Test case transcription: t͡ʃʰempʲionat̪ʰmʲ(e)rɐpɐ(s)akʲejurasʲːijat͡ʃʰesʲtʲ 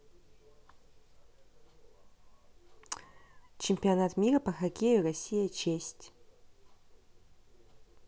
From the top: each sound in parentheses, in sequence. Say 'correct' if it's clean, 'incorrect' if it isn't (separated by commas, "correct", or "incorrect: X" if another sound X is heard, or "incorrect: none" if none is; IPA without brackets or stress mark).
incorrect: i, incorrect: x